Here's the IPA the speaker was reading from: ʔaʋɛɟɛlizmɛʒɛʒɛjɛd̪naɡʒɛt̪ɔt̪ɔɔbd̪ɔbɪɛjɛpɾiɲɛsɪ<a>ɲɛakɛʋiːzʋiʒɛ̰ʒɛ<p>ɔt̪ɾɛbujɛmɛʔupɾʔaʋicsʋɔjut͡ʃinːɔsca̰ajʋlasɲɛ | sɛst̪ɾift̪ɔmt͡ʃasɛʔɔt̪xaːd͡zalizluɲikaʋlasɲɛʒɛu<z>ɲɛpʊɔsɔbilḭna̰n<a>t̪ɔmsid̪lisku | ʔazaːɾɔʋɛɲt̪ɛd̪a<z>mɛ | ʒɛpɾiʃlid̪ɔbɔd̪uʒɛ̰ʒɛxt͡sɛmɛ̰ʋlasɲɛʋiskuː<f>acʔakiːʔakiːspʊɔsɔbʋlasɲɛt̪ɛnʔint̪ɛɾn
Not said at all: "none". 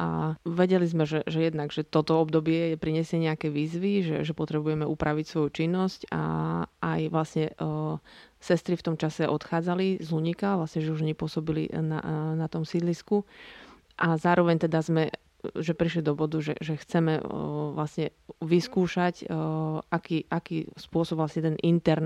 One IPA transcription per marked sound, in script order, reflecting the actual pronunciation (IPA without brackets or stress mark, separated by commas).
ɛ, p, ʒ, a, z, ʃ